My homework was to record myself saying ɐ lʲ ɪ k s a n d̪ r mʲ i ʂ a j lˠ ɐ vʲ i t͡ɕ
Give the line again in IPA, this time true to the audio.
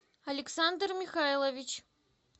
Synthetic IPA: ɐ lʲ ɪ k s a n d̪ r mʲ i x a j lˠ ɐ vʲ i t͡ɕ